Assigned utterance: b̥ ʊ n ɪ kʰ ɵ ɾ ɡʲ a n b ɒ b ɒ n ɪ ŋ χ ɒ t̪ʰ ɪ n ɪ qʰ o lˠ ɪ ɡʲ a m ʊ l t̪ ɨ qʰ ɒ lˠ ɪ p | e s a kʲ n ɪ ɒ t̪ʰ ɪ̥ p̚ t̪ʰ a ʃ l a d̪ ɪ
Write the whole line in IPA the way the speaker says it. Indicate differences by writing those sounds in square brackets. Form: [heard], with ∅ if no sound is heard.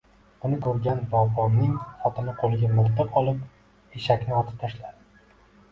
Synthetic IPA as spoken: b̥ ʊ n ɪ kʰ ɵ ɾ ɡʲ a n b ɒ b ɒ n ɪ ŋ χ ɒ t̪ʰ ɪ n ɪ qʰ o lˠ ɪ ɡʲ a m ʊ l t̪ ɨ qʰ ɒ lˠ ɪ p | e [ʃ] a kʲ n ɪ ɒ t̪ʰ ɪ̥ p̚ t̪ʰ a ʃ l a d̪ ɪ